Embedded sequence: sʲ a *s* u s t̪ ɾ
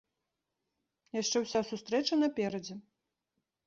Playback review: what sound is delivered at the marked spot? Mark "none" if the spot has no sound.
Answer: s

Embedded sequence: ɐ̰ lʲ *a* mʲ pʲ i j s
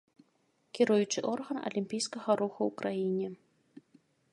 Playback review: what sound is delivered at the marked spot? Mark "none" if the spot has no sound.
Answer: i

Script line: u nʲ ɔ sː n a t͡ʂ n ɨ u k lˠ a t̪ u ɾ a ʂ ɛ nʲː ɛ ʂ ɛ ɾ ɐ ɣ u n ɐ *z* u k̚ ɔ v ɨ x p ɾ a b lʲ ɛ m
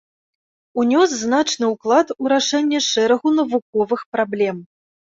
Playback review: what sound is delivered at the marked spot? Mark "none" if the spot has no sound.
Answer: v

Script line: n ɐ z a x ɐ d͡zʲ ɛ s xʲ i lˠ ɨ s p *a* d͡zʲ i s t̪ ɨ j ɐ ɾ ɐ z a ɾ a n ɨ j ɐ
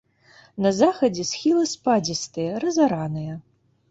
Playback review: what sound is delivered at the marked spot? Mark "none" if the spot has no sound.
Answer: a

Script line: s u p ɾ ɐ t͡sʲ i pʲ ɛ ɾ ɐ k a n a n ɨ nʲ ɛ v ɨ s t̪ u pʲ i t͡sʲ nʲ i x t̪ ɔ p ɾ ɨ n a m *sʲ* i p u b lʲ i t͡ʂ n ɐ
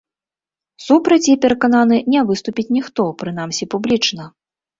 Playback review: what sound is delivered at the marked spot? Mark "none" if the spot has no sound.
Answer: sʲ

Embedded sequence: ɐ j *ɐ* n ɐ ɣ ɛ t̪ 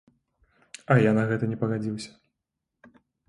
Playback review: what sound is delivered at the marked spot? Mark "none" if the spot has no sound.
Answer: a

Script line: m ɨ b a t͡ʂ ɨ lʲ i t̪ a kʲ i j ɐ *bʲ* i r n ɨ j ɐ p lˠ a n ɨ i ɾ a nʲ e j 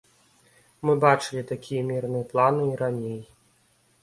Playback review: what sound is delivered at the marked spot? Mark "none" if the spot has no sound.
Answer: mʲ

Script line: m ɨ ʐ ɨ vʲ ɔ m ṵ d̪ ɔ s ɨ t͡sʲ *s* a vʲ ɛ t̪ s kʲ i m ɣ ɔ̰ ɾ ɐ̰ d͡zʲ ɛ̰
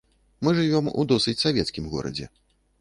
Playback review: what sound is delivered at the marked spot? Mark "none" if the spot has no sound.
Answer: s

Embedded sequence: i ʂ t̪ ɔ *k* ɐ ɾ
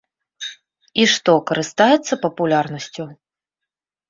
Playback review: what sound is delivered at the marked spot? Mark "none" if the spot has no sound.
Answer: k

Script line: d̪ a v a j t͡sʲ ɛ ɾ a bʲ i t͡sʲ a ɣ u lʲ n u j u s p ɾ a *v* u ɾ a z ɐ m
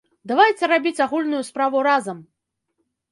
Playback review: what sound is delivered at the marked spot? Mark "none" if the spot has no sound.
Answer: v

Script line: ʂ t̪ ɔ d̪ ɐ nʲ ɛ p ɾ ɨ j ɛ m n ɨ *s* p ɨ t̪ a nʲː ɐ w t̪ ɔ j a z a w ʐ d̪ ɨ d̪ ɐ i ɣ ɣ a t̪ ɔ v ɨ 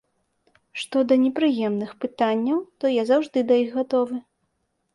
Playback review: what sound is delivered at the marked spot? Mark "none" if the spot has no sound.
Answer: x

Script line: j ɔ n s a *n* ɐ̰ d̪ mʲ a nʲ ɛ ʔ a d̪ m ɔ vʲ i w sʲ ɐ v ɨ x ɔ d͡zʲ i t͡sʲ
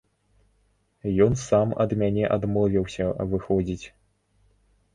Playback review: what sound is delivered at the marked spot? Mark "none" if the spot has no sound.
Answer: m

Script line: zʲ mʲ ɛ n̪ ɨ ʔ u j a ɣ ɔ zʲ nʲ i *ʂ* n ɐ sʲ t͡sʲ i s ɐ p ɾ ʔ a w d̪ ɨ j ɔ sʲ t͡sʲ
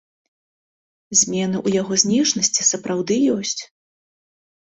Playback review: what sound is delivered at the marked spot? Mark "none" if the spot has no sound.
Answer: ʂ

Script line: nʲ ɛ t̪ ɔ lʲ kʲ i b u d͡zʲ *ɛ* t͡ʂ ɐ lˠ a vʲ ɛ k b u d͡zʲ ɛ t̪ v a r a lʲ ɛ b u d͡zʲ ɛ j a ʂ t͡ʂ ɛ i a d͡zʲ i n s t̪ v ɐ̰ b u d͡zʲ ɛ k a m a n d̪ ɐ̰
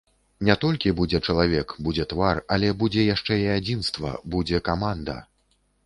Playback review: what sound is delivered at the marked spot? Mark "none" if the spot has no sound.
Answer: ɛ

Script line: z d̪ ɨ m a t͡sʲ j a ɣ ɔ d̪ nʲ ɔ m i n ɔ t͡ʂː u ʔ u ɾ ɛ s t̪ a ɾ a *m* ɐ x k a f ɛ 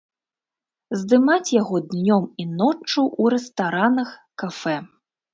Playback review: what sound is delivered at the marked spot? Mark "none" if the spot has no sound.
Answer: n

